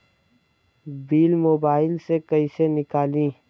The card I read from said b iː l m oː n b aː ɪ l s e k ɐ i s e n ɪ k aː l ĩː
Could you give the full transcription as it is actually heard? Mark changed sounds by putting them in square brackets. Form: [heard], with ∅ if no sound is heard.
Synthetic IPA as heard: b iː l m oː [∅] b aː ɪ l s e k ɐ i s e n ɪ k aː l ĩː